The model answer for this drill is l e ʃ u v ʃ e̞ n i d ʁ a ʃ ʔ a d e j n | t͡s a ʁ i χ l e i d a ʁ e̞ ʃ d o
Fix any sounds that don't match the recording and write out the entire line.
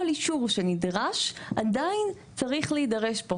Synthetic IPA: l i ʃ u ʁ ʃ e̞ n i d ʁ a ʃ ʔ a d a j n | t͡s a ʁ i χ l e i d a ʁ e̞ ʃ b o